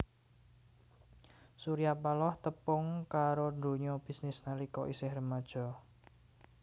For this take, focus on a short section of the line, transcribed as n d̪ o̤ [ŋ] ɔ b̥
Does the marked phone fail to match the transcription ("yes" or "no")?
yes